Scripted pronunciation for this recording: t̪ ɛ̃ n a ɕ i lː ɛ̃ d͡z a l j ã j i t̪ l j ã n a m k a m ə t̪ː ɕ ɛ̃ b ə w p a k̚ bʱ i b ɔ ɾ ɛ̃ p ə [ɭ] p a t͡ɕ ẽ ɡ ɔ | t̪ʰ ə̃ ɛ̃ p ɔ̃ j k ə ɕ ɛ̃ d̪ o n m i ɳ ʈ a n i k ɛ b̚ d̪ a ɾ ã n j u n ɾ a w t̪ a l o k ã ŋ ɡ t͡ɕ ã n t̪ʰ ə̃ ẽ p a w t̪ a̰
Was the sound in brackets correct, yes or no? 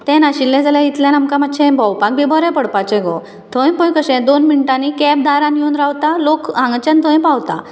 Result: no